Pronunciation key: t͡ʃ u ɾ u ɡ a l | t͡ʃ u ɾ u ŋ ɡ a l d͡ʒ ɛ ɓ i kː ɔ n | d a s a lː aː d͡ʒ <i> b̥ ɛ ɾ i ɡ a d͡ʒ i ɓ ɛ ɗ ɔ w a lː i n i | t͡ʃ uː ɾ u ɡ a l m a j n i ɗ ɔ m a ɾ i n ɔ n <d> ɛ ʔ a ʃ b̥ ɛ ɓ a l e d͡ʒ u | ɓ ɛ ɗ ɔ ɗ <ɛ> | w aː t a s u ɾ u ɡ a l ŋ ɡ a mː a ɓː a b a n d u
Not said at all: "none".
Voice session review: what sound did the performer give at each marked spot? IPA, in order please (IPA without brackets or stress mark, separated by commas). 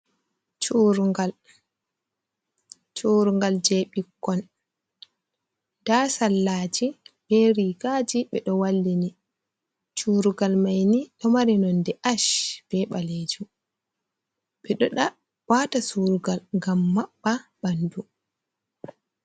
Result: i, d, a